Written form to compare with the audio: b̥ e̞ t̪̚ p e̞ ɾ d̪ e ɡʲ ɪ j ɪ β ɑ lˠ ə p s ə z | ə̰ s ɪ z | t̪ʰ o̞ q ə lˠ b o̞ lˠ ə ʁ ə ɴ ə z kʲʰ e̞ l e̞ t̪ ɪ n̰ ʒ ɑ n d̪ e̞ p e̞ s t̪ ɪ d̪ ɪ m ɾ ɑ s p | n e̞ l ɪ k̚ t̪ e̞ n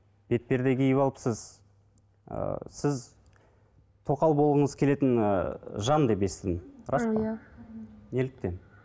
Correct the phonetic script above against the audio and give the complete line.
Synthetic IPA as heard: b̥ e̞ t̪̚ p e̞ ɾ d̪ e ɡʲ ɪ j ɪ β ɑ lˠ ə p s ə z | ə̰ s ɪ z | t̪ʰ o̞ q ɑ lˠ b o̞ lˠ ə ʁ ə ɴ ə z kʲʰ e̞ l e̞ t̪ ɪ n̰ ʒ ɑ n d̪ e̞ p e̞ s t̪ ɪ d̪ ɪ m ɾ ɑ s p | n e̞ l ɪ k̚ t̪ e̞ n

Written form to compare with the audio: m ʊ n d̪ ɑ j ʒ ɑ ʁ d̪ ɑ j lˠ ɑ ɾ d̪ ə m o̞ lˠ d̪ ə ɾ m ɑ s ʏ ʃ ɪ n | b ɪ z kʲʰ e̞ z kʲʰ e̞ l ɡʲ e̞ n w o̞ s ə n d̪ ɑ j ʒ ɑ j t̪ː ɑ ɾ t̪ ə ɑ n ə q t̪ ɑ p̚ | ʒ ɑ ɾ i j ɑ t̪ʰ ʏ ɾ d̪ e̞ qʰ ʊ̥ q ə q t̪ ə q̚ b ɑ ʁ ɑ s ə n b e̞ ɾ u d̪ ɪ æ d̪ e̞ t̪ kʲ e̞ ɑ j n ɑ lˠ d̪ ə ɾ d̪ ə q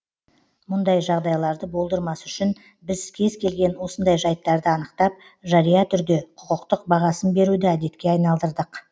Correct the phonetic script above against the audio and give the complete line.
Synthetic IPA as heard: m ʊ n d̪ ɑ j ʒ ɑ ʁ d̪ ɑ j lˠ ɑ ɾ d̪ ə b o̞ lˠ d̪ ə ɾ m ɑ s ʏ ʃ ɪ n | b ɪ z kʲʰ e̞ z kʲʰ e̞ l ɡʲ e̞ n w o̞ s ə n d̪ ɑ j ʒ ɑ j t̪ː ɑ ɾ d̪ ə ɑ n ə q t̪ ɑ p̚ | ʒ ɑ ɾ i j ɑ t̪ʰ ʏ ɾ d̪ e̞ qʰ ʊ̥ q ə q t̪ ə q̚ b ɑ ʁ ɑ s ə n b e̞ ɾ u d̪ ɪ æ d̪ e̞ t̪ kʲ e̞ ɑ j n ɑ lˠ d̪ ə ɾ d̪ ə q

